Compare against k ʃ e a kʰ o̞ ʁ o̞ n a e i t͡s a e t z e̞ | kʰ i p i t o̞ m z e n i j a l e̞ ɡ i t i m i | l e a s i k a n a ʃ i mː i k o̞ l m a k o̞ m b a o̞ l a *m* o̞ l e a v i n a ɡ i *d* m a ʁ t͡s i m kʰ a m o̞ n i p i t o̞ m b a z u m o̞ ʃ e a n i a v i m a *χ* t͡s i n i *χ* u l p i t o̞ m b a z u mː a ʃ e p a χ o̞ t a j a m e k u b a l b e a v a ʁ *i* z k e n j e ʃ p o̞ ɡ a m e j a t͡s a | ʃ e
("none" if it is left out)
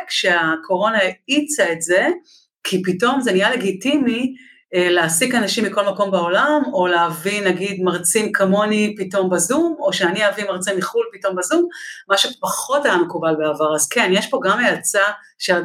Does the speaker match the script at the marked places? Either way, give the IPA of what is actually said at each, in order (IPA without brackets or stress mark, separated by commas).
m, d, ʁ, χ, a